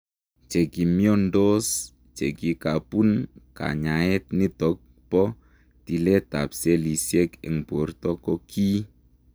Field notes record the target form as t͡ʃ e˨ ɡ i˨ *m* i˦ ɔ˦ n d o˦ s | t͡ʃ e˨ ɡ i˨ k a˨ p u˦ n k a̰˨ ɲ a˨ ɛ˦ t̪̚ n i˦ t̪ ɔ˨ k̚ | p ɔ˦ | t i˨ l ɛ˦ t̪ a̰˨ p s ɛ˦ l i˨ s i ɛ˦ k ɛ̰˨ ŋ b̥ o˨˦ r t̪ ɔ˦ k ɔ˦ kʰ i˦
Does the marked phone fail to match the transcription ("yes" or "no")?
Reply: no